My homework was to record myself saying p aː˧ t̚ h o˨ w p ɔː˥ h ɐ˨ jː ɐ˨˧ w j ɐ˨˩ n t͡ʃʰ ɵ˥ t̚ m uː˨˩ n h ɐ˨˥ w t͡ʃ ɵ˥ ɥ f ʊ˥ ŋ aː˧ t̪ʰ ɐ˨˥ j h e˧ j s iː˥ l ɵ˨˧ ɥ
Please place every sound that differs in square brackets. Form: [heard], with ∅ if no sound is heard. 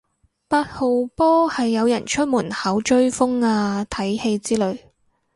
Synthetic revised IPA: p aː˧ t̚ h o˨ w p ɔː˥ h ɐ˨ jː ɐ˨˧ w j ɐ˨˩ n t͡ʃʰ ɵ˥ t̚ m uː˨˩ n h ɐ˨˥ w t͡ʃ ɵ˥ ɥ f ʊ˥ ŋ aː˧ t̪ʰ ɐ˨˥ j h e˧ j [t͡s] iː˥ l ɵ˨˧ ɥ